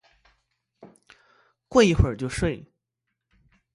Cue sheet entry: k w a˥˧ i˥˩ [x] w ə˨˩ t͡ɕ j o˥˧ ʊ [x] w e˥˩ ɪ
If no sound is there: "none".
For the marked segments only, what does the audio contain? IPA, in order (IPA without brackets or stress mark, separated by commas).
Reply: x, ʂ